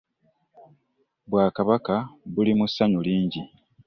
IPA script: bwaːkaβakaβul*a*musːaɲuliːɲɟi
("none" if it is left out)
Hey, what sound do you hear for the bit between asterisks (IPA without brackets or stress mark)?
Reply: i